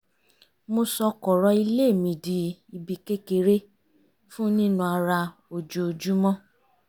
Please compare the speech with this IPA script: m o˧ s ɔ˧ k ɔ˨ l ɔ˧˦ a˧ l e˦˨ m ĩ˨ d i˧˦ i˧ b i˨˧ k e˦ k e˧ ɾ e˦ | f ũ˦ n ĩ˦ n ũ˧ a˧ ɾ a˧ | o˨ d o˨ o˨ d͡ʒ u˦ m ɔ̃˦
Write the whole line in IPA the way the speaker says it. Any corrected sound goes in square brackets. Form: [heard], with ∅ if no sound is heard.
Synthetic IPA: m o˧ s ɔ˧ k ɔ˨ [ɾ] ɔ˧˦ [i˧] l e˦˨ m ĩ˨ d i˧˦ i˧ b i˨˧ k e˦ k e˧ ɾ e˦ | f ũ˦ n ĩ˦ n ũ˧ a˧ ɾ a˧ | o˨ [d͡ʒ] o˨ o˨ d͡ʒ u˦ m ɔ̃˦